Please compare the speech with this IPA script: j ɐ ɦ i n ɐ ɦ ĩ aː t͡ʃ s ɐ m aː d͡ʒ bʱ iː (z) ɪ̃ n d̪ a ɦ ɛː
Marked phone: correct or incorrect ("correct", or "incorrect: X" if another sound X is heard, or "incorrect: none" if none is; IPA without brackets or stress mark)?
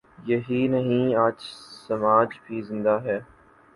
correct